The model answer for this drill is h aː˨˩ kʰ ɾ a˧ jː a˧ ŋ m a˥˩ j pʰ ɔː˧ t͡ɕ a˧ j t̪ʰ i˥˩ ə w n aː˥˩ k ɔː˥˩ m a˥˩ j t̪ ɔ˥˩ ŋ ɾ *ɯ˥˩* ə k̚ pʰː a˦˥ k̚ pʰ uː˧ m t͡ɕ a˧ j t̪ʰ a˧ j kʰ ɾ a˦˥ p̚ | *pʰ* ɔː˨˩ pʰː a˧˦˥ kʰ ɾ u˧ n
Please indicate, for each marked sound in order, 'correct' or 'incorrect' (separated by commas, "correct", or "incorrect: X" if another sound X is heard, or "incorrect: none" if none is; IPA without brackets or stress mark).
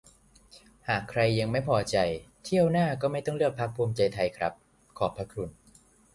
correct, incorrect: kʰ